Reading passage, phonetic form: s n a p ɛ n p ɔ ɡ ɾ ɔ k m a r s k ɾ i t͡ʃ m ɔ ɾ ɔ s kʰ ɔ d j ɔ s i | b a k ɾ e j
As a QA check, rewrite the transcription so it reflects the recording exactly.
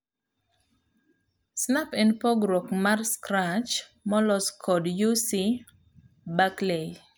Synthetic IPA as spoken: s n a p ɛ n p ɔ ɡ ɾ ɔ k m a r s k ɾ a t͡ʃ m ɔ l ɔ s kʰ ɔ d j u s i | b a k l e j